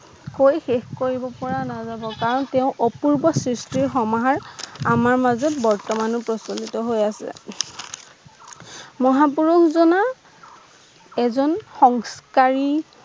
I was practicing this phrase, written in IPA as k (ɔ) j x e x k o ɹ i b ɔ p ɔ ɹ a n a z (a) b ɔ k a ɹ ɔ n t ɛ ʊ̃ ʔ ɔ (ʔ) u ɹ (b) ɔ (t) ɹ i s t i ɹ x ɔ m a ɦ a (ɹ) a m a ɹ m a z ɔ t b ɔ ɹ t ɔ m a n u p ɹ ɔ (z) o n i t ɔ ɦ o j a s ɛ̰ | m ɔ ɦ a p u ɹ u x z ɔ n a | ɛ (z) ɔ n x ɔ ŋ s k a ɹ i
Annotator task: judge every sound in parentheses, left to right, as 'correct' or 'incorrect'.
incorrect: o, correct, incorrect: p, correct, incorrect: s, correct, incorrect: s, correct

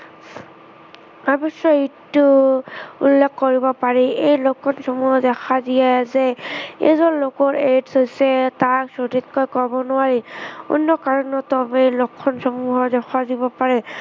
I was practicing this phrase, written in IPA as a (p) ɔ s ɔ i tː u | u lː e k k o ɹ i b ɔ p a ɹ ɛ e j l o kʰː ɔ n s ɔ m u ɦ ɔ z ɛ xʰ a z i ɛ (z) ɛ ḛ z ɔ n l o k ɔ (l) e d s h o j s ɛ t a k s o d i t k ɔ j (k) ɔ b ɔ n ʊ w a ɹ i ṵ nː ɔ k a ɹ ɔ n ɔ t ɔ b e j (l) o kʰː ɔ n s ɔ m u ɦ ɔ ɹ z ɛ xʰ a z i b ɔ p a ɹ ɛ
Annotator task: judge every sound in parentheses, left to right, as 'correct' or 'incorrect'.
incorrect: b, correct, incorrect: ɹ, correct, correct

